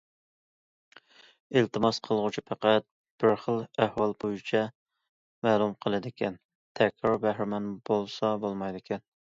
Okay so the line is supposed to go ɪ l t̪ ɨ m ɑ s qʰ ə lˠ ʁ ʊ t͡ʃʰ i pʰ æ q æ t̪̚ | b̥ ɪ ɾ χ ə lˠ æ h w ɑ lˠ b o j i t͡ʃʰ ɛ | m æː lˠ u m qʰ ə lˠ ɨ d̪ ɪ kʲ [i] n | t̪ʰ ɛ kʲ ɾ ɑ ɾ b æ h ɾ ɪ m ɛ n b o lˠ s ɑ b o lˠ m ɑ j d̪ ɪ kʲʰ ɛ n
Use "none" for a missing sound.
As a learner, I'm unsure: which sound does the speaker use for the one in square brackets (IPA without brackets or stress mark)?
ɛ